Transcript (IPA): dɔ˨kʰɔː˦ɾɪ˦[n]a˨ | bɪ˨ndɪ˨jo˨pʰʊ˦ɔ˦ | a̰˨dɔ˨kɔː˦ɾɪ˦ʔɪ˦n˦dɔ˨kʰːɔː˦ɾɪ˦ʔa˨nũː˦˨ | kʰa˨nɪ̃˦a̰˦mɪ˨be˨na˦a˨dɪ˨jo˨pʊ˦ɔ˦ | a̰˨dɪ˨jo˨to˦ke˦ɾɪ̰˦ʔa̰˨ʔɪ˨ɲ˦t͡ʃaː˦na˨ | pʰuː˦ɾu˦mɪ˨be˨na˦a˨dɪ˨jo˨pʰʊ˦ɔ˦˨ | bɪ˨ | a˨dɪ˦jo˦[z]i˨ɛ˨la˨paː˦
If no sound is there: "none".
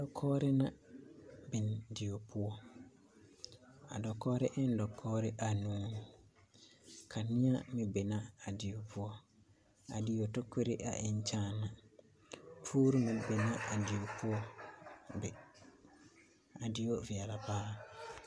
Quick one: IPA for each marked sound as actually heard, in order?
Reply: n, v

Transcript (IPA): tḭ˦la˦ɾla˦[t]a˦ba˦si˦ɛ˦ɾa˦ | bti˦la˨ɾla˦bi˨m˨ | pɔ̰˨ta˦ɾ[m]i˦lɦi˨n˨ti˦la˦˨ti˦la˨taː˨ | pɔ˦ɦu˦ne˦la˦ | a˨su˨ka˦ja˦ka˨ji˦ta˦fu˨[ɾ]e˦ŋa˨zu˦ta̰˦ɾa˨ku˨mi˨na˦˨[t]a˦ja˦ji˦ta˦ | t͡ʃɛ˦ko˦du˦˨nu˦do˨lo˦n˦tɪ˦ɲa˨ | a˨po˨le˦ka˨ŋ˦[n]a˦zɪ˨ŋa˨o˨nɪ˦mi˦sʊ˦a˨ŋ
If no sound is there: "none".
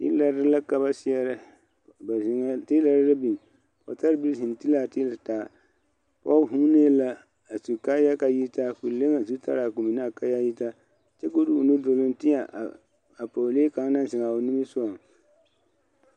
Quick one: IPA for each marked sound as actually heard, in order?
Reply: k, b, l, k, n

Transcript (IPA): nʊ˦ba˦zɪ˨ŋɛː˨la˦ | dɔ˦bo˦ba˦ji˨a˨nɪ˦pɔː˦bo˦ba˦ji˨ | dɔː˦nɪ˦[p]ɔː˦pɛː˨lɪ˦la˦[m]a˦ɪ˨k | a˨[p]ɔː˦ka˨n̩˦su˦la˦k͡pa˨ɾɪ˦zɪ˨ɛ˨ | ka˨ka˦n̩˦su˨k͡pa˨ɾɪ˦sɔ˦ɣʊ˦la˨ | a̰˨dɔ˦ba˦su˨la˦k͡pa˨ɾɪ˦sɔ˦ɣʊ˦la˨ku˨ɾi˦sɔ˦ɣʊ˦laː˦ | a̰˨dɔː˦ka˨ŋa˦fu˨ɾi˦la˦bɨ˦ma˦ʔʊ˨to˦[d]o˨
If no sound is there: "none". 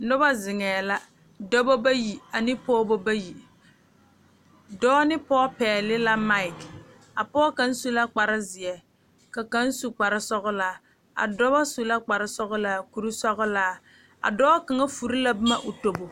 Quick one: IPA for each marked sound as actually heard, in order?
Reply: p, m, p, b

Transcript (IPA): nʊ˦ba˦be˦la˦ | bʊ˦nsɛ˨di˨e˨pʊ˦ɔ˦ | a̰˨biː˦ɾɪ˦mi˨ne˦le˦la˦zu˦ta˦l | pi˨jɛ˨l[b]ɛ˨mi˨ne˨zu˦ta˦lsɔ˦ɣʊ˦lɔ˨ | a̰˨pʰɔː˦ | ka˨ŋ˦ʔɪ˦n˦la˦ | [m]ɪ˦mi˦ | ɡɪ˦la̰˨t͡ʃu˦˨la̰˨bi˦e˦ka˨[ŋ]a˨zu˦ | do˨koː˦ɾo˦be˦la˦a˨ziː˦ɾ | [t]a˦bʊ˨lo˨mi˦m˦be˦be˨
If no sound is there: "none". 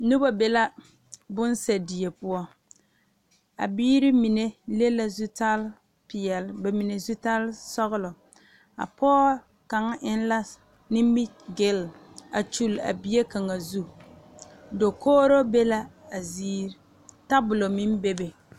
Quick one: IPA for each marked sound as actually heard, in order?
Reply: b, n, ŋ, t

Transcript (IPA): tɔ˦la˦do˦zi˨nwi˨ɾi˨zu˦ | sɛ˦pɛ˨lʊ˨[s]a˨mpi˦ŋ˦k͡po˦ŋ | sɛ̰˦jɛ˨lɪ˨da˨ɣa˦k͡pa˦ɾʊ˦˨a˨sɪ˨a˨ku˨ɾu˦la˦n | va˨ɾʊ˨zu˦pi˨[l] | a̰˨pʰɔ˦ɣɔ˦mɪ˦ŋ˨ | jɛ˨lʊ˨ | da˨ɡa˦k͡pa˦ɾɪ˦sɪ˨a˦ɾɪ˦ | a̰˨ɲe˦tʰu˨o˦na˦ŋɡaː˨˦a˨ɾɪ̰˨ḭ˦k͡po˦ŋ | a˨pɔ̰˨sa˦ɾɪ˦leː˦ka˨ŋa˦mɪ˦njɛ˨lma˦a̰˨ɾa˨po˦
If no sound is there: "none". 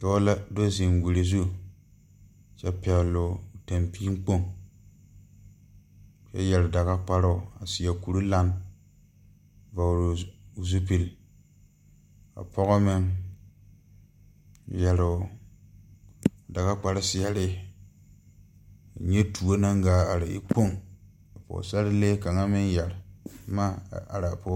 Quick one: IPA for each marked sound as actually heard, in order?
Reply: t, l

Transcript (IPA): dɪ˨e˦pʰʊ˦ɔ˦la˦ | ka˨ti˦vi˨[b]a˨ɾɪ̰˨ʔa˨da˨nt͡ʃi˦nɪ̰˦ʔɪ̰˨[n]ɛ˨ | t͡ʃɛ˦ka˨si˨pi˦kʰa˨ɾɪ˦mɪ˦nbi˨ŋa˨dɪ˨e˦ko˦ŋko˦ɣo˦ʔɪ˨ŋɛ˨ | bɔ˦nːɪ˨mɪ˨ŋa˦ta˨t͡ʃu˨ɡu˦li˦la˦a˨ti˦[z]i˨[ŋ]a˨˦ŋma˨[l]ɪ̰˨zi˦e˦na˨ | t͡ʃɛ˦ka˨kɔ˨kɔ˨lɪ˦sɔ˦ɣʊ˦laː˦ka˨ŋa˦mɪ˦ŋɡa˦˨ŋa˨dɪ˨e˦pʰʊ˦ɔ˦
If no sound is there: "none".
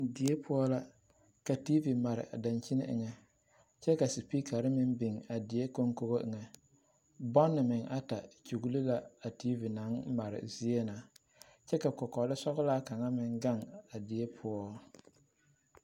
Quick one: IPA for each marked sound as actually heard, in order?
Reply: m, ŋ, v, n, ɾ

